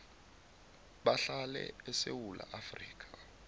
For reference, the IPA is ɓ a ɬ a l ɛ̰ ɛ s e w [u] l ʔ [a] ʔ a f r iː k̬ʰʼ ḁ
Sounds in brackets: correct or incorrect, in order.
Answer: correct, correct

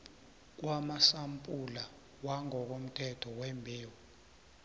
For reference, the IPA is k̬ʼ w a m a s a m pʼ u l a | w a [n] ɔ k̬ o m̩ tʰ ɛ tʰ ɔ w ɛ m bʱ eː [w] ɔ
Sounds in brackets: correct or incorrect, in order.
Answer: incorrect: ŋ, correct

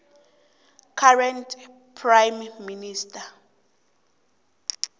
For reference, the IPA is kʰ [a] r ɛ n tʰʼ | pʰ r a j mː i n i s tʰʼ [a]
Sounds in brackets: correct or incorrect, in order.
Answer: correct, correct

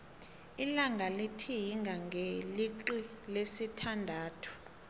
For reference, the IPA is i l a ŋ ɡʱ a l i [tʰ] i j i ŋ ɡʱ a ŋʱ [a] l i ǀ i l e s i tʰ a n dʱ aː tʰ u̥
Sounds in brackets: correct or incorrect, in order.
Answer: correct, incorrect: e

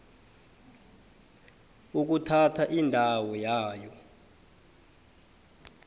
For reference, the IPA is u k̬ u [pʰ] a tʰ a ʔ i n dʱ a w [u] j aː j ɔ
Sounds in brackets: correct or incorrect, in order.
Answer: incorrect: tʰ, incorrect: ɔ

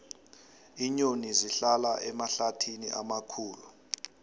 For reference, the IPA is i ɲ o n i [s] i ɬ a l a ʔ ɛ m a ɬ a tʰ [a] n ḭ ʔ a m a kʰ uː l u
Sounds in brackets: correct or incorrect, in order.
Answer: incorrect: z, incorrect: i

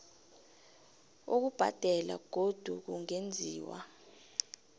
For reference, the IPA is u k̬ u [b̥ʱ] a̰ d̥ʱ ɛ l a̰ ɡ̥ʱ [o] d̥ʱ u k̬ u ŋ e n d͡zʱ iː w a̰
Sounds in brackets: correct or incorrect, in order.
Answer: correct, correct

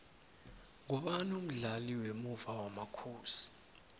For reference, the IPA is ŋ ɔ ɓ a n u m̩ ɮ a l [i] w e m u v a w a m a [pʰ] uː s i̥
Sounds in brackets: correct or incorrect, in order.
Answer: correct, incorrect: kʰ

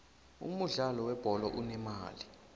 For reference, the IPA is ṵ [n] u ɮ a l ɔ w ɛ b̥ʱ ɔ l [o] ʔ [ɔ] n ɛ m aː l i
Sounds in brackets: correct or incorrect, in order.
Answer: incorrect: m, incorrect: ɔ, incorrect: u

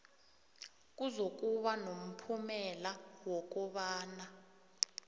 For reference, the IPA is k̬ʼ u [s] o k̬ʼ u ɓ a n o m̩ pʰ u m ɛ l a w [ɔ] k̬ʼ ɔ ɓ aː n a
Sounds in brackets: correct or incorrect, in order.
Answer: incorrect: z, correct

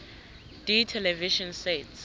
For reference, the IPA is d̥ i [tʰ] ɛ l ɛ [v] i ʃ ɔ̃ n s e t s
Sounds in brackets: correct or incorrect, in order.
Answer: correct, correct

